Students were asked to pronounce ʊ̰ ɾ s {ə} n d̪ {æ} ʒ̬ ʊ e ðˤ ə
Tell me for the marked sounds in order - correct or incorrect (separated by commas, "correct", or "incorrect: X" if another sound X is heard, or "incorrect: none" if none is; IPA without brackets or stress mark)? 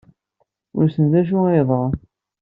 correct, correct